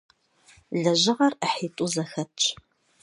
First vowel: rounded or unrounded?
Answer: unrounded